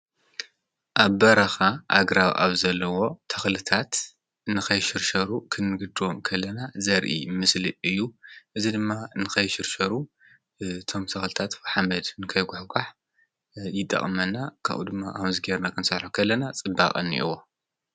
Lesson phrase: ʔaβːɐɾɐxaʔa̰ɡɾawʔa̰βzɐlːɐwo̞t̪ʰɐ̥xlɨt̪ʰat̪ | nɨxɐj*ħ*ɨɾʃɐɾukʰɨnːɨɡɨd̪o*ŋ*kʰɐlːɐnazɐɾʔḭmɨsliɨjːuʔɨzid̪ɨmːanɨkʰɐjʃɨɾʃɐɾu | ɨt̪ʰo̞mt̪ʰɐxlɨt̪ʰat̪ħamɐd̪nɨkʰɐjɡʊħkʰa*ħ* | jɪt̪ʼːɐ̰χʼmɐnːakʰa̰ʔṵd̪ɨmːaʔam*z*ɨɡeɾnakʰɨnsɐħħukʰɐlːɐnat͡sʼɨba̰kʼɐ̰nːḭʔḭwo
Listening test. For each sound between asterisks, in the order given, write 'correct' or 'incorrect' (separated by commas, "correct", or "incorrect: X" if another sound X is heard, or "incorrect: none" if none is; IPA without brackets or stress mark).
incorrect: ʃ, incorrect: m, correct, correct